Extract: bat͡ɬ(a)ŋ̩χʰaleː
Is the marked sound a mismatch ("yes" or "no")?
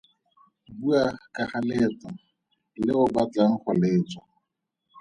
no